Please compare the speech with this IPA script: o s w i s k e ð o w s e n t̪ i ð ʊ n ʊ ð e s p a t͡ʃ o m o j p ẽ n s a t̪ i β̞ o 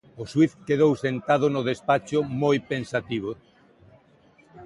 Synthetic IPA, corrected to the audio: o s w i θ k e ð o w s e n t̪ a ð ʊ n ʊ ð e s p a t͡ʃ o m o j p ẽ n s a t̪ i β̞ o